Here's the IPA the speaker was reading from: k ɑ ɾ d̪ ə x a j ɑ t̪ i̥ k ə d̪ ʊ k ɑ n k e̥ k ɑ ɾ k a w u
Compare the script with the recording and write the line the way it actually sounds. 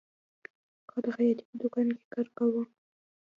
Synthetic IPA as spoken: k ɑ d̪ ə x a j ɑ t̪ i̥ p ə d̪ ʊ k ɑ n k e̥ k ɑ ɾ k a w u